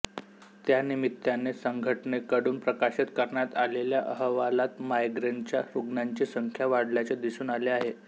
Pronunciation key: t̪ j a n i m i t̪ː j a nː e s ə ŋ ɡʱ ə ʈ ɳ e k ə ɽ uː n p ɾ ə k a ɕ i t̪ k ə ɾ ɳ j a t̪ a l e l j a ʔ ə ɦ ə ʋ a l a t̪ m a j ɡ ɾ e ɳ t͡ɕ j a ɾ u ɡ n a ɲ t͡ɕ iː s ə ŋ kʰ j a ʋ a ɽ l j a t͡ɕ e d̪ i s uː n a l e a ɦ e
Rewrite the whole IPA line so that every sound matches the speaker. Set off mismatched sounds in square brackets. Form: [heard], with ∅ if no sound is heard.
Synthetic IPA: t̪ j a n i m i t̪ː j a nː e s ə ŋ ɡʱ ə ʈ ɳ e k ə ɽ uː n p ɾ ə k a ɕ i t̪ k ə ɾ ɳ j a t̪ a l e l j a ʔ ə ɦ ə ʋ a l a t̪ m a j ɡ ɾ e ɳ t͡ɕ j a ɾ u ɡ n a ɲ t͡ɕ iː s ə ŋ kʰ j a ʋ a ɽ l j a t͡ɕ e d̪ i s uː n a l e a ɦ e